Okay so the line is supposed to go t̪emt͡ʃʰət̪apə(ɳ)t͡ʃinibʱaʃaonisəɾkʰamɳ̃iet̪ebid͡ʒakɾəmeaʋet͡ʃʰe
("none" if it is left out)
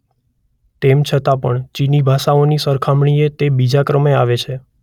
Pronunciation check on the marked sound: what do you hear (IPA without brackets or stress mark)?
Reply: ɳ